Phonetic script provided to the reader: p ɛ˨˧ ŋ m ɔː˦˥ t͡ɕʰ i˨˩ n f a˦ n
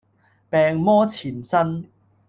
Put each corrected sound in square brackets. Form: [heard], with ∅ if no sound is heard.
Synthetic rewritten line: p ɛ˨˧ ŋ m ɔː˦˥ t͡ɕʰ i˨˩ n [s] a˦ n